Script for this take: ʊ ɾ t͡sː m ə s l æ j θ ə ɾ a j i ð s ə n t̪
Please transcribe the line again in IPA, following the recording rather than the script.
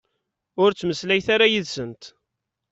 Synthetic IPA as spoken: ʊ ɾ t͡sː m ə s l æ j θ a ɾ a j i ð s ə n t̪